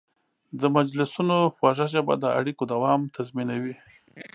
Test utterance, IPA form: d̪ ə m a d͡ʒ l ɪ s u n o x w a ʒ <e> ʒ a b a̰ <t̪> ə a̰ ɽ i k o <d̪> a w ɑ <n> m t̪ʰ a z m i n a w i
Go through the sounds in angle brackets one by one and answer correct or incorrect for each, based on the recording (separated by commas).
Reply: incorrect, incorrect, correct, incorrect